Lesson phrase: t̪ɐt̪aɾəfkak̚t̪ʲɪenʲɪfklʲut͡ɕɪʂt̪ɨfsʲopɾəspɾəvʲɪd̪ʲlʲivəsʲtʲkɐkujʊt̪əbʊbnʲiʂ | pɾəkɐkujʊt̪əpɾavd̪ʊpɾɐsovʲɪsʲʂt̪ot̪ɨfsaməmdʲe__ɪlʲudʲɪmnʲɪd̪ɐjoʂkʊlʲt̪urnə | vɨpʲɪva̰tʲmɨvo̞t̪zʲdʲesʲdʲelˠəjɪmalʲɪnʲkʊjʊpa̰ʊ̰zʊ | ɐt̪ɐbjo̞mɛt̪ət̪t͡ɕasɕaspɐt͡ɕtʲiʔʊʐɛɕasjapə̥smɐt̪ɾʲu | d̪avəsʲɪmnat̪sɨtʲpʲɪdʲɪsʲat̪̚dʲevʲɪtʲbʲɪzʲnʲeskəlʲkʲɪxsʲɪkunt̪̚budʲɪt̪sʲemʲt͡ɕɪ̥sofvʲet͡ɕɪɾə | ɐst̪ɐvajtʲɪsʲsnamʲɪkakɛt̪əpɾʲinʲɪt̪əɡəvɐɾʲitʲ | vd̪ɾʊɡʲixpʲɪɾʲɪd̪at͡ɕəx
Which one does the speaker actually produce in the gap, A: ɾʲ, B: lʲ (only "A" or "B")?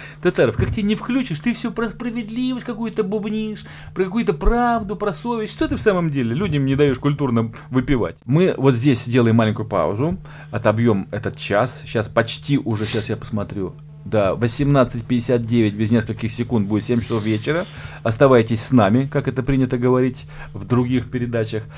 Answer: B